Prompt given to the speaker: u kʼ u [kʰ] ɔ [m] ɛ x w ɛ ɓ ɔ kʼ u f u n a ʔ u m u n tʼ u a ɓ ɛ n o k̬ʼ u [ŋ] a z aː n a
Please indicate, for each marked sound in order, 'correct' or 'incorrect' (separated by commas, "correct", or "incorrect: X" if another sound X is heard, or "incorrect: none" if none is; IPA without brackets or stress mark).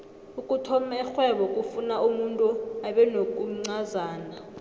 incorrect: tʰ, correct, incorrect: ŋ͡ǀ